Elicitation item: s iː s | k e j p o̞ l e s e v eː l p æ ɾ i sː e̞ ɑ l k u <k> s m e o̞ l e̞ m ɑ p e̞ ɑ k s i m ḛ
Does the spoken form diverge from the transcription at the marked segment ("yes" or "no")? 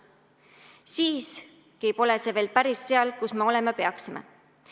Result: yes